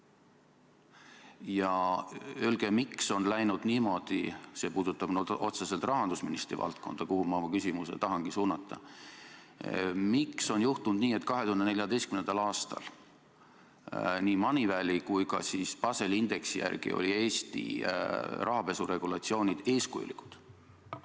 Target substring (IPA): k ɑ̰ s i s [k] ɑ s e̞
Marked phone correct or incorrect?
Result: incorrect